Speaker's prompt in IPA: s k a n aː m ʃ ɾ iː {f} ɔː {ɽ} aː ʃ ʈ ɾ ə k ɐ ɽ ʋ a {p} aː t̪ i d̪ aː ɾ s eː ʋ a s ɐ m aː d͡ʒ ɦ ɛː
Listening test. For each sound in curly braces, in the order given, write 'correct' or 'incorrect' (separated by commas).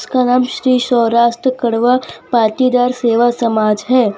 incorrect, incorrect, correct